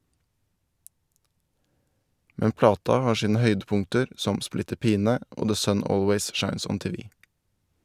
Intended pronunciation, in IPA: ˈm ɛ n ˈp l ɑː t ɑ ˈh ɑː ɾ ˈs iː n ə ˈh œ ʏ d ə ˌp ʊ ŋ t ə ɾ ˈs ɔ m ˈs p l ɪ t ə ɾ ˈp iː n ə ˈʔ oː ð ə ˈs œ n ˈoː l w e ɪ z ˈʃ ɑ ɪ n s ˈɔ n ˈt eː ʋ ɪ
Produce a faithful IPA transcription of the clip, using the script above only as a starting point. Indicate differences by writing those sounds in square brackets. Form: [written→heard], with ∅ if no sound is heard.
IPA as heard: ˈm ɛ n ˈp l ɑː t ɑ ˈh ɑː ɾ [ˈs→ˈʃ] iː n ə ˈh œ ʏ d ə ˌp ʊ ŋ t ə ɾ ˈs ɔ m ˈs p l ɪ t ə ɾ ˈp iː n ə ˈʔ oː ð ə ˈs œ n ˈoː l w e ɪ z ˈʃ ɑ ɪ n s ˈɔ n ˈt eː ʋ ɪ